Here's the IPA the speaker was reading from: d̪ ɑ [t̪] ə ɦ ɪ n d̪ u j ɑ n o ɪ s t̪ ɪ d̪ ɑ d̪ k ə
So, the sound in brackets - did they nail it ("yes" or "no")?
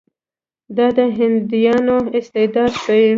no